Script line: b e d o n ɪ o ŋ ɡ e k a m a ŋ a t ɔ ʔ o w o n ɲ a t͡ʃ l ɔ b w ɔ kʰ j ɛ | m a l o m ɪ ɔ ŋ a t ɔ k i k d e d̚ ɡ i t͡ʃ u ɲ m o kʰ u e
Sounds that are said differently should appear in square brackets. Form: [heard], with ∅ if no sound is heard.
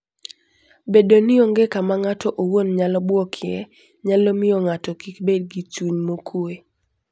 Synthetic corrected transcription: b e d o n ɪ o ŋ ɡ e k a m a ŋ a t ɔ ʔ o w o n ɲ a [∅] l ɔ b w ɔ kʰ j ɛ | [ɲ] a l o m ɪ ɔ ŋ a t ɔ k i k [b] e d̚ ɡ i t͡ʃ u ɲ m o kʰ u e